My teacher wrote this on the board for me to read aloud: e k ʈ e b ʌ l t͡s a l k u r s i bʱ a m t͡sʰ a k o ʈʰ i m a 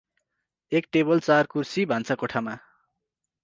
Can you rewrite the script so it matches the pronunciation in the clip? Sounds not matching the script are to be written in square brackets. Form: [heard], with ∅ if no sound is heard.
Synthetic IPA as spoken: e k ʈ e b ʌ l t͡s a [r] k u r s i bʱ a [n] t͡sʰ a k o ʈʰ [a] m a